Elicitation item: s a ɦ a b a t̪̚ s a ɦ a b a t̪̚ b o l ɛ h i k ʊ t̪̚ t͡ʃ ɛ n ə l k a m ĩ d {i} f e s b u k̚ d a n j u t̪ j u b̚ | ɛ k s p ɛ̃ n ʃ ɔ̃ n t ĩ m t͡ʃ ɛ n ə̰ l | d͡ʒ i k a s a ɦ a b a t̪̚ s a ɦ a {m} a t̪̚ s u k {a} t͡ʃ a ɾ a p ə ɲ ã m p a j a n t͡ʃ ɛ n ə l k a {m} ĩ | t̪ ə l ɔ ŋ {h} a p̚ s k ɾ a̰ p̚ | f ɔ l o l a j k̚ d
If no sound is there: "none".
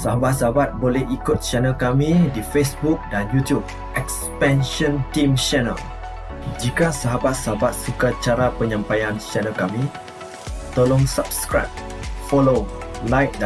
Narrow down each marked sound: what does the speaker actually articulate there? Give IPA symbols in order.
i, b, a, m, s

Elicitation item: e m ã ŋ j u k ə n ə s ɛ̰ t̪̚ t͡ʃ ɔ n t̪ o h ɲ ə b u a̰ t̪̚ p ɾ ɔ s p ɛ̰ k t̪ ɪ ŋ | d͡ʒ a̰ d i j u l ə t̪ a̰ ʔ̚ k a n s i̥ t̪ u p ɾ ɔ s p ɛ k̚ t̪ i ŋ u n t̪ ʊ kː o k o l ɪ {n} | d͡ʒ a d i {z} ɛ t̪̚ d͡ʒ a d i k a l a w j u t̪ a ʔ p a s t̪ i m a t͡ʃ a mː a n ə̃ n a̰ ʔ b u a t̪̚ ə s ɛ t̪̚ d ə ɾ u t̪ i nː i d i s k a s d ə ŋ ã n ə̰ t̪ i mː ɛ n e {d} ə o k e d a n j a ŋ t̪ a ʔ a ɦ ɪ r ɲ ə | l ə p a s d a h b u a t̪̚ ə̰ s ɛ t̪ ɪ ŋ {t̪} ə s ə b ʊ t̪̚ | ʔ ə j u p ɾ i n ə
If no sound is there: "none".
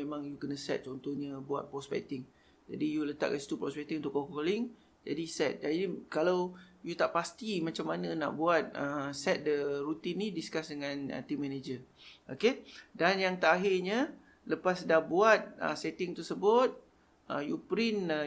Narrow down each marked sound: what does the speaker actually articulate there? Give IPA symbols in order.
ŋ, s, d͡ʒ, t̪

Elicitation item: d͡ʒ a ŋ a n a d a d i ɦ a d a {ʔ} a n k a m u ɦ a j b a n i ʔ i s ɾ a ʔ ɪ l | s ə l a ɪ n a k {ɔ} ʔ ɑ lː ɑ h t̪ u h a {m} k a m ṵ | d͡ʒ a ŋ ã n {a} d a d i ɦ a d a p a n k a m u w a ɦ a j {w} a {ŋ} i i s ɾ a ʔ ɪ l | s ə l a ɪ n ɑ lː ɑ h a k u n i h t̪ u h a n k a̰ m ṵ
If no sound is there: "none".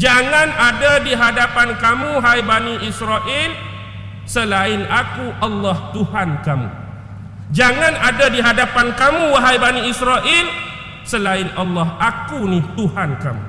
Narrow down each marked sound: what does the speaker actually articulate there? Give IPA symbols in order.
p, u, n, a, b, n

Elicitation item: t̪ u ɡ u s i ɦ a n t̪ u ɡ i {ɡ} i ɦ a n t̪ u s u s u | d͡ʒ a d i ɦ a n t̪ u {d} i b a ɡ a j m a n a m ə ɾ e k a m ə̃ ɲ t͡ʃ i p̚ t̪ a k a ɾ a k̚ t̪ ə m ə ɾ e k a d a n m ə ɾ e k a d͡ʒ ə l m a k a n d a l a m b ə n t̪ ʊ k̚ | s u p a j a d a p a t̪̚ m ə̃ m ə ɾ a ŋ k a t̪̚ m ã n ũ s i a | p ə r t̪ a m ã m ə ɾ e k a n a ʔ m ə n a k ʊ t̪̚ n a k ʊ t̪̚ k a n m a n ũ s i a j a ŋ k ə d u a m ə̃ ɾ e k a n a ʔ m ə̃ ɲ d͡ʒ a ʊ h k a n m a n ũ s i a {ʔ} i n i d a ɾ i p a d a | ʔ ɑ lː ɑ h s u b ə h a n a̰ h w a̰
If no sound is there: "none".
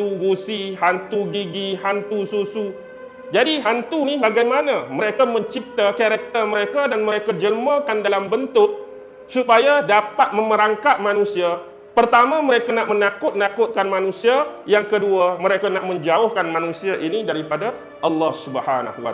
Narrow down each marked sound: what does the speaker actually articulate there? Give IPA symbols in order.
ɡ, n, ʔ

